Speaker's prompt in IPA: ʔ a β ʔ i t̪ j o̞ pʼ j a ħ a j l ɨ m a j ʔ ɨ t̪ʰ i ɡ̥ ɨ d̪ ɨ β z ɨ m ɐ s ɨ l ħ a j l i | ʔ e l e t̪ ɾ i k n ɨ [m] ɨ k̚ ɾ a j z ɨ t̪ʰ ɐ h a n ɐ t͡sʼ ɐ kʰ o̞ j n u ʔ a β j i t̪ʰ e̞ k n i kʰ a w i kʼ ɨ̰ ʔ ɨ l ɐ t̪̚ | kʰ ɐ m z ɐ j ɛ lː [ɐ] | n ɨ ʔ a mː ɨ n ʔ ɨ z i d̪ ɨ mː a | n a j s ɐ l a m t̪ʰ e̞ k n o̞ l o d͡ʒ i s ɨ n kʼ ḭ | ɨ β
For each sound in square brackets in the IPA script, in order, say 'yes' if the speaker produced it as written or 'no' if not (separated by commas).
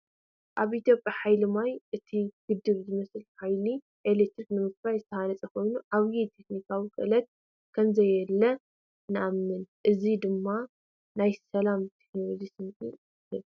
yes, yes